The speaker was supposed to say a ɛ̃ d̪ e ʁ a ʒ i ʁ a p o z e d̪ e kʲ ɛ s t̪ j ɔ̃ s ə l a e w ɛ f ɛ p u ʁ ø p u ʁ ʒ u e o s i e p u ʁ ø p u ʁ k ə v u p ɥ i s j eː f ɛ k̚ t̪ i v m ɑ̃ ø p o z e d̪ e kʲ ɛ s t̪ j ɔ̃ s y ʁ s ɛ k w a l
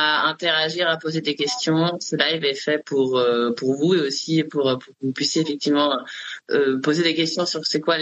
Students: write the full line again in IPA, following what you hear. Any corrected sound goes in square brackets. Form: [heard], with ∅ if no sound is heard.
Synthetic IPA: a ɛ̃ [t̪] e ʁ a ʒ i ʁ a p o z e d̪ e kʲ ɛ s t̪ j ɔ̃ s ə l a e [v] ɛ f ɛ p u ʁ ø p u ʁ [v] u e o s i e p u ʁ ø p u ʁ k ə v u p ɥ i s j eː f ɛ k̚ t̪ i v m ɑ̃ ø p o z e d̪ e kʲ ɛ s t̪ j ɔ̃ s y ʁ s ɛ k w a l